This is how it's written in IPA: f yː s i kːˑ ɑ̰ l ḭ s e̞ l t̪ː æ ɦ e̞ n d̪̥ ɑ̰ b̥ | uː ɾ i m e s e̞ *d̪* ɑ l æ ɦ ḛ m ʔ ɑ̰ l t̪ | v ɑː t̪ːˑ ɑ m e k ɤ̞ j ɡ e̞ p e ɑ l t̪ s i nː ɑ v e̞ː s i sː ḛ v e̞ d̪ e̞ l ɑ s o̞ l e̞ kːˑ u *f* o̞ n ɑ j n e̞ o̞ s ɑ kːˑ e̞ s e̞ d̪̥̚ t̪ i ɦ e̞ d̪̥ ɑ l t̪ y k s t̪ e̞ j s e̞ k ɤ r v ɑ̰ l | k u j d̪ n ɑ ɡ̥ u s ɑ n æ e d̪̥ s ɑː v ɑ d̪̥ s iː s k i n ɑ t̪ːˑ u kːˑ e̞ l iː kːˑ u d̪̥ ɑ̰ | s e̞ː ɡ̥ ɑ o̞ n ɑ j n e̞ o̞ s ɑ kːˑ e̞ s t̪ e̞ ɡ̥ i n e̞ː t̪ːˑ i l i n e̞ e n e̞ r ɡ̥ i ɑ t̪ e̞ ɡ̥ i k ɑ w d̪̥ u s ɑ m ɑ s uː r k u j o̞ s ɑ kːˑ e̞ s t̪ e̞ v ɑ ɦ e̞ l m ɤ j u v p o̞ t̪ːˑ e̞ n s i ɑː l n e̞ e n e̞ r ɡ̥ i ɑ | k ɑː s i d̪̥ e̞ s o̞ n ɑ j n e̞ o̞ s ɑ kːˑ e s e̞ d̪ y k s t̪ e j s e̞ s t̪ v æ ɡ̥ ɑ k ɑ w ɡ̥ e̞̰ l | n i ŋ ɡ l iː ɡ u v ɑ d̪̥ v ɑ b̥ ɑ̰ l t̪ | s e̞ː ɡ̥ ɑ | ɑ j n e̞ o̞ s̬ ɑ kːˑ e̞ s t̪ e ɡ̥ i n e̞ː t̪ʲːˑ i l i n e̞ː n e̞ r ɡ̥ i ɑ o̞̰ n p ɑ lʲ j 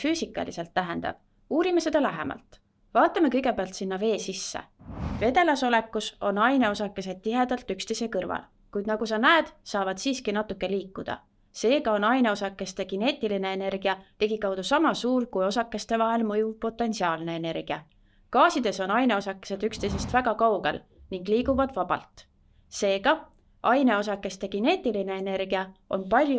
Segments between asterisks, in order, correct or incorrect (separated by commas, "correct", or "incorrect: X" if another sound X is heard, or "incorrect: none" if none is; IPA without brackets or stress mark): correct, incorrect: s